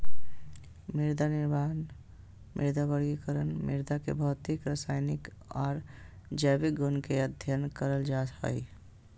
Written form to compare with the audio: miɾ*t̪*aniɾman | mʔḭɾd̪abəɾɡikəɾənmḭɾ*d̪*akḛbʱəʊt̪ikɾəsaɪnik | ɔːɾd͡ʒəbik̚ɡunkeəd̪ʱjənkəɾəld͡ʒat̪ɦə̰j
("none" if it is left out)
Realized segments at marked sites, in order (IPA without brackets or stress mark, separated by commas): d̪, d̪